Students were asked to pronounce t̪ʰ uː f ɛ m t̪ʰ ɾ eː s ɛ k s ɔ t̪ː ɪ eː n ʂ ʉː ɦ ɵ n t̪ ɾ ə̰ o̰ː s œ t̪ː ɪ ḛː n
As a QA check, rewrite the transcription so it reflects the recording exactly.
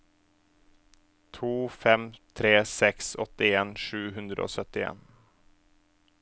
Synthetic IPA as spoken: t̪ʰ uː f ɛ m t̪ʰ ɾ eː s ɛ k s ɔ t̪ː ɪ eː n ʂ ʉː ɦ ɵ n d̪ ɾ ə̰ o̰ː s œ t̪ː ɪ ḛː n